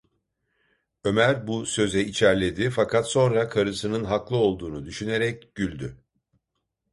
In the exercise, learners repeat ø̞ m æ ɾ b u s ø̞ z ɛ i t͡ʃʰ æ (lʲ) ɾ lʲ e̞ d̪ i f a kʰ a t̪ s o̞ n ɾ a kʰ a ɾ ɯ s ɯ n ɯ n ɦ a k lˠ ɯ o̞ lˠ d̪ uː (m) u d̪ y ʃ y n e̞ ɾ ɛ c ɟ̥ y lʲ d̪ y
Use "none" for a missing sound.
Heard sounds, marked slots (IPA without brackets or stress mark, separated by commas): none, n